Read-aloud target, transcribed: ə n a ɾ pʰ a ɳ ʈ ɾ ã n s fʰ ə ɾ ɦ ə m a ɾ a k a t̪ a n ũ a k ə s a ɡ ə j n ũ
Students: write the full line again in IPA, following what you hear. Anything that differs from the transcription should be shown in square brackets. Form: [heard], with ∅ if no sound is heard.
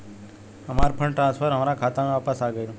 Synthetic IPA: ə [m] a ɾ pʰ [ə] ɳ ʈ ɾ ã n s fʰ ə ɾ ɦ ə m a ɾ a [kʰ] a t̪ a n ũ a [p] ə s a ɡ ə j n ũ